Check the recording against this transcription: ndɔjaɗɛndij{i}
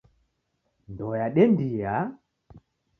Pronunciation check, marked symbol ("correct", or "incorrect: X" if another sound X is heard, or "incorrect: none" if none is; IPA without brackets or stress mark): incorrect: a